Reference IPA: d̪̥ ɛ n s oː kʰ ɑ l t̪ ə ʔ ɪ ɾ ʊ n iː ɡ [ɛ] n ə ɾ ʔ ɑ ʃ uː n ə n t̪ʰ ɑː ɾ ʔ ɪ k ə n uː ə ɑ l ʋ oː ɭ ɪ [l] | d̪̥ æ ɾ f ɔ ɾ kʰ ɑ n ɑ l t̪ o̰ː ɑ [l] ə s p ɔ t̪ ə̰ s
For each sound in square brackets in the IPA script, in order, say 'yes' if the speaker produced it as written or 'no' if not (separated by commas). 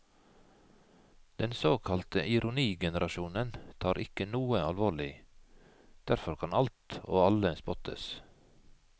yes, no, yes